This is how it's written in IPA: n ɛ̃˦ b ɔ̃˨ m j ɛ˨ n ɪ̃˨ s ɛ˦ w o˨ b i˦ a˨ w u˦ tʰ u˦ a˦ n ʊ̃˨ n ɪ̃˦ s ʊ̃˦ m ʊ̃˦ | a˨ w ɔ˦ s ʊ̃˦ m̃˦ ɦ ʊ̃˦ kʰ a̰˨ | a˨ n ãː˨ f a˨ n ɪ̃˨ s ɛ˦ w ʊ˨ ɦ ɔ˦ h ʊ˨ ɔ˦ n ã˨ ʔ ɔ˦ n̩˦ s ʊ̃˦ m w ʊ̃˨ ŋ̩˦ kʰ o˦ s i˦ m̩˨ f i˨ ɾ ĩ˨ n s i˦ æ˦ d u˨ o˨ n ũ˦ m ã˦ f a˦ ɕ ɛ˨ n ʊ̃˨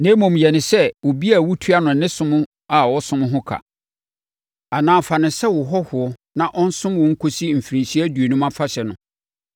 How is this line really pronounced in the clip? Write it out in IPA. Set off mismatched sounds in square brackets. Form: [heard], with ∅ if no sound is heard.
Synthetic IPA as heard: n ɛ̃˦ [m] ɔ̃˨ m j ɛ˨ n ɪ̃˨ s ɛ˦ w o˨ b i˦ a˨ w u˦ tʰ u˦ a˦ n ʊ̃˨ n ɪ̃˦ s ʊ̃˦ m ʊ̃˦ | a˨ w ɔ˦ s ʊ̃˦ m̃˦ ɦ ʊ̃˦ kʰ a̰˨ | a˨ n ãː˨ f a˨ n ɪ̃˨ s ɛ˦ w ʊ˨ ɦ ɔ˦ h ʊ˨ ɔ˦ n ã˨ ʔ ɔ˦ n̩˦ s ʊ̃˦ m w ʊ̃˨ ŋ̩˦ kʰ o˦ s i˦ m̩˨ f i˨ ɾ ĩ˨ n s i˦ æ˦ d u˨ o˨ n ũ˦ m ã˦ f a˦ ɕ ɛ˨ n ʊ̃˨